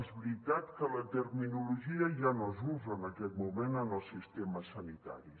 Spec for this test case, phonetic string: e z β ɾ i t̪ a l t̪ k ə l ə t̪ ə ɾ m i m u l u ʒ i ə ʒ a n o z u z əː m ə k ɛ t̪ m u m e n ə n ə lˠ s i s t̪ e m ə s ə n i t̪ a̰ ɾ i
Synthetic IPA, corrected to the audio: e z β ɾ i t̪ a t̪ k ə l ə t̪ ə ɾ m i n u l u ʒ i ə ʒ a n o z u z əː n ə k ɛ t̪ m u m e n ə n ə lˠ s i s t̪ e m ə s ə n i t̪ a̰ ɾ i

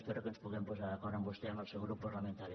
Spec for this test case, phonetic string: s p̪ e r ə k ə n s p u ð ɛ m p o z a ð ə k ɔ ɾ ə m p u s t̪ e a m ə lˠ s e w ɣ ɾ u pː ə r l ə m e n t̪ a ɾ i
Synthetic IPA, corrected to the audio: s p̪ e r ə k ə n s p u ɣ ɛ m p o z a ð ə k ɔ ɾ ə m b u s t̪ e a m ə lˠ s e w ɣ ɾ u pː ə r l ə m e n t̪ a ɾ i

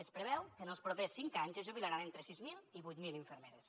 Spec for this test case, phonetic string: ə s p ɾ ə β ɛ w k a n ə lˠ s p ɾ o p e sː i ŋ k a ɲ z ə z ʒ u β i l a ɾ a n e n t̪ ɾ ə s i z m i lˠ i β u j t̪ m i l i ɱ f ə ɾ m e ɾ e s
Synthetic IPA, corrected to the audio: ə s p ɾ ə β ɛ w k ə n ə lˠ s p ɾ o p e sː i ŋ k a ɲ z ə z ʒ u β i l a ɾ a n e n t̪ ɾ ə s i z m i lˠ i β u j t̪ m i l i ɱ f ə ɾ m e ɾ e s

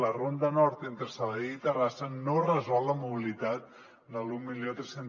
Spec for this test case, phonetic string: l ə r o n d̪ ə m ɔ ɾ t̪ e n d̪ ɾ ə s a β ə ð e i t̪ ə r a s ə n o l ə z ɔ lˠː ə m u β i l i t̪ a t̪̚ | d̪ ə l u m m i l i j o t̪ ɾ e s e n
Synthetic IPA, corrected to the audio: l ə r o n d̪ ə n ɔ ɾ t̪ e n t̪ ɾ ə s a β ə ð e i t̪ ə r a s ə n o r ə z ɔ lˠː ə m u β i l i t̪ a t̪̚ | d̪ ə l u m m i l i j o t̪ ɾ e s e n

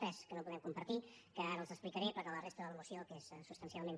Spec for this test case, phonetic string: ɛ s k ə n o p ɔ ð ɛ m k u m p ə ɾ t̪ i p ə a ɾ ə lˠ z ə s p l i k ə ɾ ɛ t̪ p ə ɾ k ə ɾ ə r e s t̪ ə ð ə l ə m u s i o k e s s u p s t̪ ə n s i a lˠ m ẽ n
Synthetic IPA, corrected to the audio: ɛ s k ə n o p u ð ɛ m k u m p ə ɾ t̪ i k ə a ɾ ə lˠ z ə s p l i k ə ɾ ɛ p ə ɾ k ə l ə r e s t̪ ə ð ə l ə m u s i o k e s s u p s t̪ ə n s i a lˠ m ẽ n

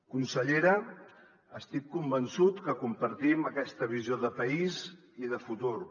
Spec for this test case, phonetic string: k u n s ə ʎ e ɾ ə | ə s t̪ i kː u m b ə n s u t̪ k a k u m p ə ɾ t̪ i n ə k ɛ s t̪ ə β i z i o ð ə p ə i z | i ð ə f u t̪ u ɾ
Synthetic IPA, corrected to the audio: k u n s ə ʎ e ɾ ə | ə s t̪ i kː u m b ə n s u t̪ k ə k u m p ə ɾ t̪ i m ə k ɛ s t̪ ə β i z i o ð ə p ə i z | i ð ə f u t̪ u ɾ

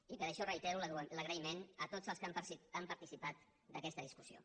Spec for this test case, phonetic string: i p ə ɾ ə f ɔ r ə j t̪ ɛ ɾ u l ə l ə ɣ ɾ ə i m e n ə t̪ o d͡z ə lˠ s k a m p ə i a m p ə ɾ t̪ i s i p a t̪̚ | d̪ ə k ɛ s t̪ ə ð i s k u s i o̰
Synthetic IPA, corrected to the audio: i p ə ɾ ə ʃ ɔ r ə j t̪ ɛ ɾ u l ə l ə ɣ ɾ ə i m e n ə t̪ o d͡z ə lˠ s k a m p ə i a m p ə ɾ t̪ i s i p a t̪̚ | d̪ ə k ɛ s t̪ ə ð i s k u s i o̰

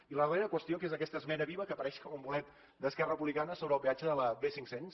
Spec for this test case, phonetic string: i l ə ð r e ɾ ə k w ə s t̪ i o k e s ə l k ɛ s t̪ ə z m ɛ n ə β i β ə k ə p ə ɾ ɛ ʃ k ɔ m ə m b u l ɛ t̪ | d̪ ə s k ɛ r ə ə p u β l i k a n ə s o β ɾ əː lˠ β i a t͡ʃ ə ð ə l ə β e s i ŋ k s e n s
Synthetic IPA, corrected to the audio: i l ə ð r e ɾ ə k w ə s t̪ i o k e z ə k ɛ s t̪ ə z m ɛ n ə β i β ə k ə p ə ɾ ɛ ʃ k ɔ m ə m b u l ɛ t̪ | d̪ ə s k ɛ r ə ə p u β l i k a n ə s o β ɾ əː lˠ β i a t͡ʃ ə ð ə l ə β e s i ŋ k s e n s

